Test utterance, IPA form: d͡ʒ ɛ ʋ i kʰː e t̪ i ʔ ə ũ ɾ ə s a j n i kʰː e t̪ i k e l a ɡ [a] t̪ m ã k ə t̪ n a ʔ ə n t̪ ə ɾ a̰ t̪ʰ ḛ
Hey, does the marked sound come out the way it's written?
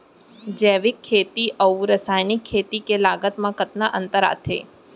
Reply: no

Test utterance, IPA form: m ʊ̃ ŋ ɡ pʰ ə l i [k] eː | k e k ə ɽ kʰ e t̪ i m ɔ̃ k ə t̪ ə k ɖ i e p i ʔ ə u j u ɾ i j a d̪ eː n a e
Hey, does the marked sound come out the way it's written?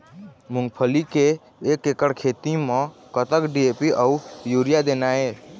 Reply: yes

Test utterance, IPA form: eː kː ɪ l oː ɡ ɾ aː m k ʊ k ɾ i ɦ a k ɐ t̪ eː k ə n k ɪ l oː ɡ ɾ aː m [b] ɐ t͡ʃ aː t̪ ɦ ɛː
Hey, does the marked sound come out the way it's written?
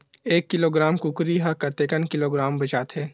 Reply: yes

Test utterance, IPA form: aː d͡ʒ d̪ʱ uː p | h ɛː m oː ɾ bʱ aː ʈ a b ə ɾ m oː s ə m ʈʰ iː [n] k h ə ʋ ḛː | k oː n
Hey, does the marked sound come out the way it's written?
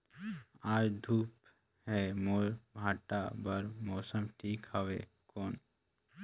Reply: no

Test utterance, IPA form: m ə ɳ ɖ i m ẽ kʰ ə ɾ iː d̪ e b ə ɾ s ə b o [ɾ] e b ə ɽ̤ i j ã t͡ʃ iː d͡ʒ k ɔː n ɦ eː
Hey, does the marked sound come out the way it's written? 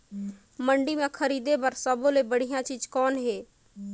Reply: no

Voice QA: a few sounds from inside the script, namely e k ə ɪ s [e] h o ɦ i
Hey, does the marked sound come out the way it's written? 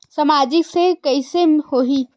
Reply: yes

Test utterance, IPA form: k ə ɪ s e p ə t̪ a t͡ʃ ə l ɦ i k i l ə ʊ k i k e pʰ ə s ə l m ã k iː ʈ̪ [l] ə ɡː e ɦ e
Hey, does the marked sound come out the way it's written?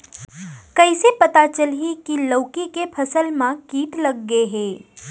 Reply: yes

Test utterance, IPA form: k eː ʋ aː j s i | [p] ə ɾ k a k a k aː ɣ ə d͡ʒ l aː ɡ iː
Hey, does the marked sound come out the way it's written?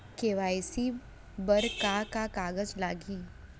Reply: no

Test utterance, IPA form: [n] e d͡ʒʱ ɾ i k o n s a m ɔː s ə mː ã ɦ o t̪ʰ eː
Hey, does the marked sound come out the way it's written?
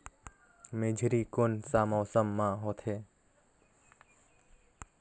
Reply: no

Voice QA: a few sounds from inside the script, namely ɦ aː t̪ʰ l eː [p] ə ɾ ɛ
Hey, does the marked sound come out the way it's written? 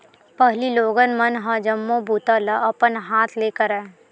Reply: no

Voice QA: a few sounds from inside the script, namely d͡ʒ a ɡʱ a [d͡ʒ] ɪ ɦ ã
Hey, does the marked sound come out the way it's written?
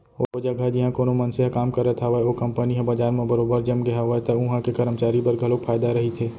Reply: yes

